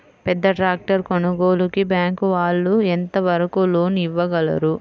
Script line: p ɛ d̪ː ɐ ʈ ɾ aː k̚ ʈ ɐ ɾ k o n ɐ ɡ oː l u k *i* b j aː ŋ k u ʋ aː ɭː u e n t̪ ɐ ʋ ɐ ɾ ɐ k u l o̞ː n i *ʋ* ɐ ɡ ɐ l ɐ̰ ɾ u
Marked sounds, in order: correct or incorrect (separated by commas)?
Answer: correct, incorrect